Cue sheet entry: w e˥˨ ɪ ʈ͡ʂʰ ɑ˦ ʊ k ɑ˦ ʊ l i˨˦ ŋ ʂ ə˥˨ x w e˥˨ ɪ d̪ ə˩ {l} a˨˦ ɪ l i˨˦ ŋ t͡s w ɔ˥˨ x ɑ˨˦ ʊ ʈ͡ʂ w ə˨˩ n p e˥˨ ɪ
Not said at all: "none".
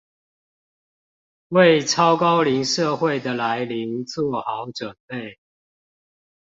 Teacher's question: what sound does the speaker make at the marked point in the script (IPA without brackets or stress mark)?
l